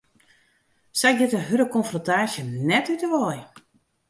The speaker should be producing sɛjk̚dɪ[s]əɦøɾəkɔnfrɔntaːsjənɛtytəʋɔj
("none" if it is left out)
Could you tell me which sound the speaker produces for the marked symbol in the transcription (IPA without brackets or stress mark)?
t